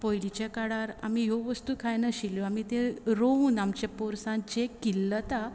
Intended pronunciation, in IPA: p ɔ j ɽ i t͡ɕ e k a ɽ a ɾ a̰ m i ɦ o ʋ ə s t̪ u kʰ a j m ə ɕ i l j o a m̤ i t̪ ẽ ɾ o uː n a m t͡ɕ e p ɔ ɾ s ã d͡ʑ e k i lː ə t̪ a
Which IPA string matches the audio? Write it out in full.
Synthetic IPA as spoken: p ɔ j l i t͡ɕ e k a ɽ a ɾ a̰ m i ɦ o ʋ ə s t̪ u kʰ a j n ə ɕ i l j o a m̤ i t̪ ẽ ɾ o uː n a m t͡ɕ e p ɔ ɾ s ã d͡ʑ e k i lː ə t̪ a